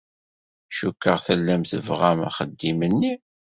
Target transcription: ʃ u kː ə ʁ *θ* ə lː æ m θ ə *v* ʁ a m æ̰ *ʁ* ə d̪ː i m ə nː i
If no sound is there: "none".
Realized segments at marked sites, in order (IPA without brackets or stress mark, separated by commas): θ, v, χ